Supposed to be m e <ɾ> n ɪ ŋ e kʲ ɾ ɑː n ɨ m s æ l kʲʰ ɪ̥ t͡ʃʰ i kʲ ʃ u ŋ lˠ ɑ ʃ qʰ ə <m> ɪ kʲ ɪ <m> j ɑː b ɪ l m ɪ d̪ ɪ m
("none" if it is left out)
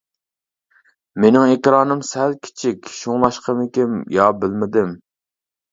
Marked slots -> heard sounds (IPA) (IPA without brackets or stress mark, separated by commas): none, m, m